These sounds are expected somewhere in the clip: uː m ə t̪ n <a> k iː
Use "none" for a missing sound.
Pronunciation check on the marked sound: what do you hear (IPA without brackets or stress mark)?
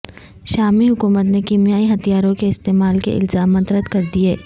e